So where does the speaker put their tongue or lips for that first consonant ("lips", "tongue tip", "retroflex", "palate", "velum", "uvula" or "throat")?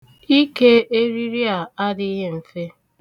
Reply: velum